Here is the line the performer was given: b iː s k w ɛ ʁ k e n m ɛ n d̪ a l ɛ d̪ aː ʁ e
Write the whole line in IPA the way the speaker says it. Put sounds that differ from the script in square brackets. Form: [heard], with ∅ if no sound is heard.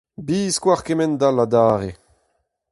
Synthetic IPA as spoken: b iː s k w [a] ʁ k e [∅] m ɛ n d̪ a l [a] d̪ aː ʁ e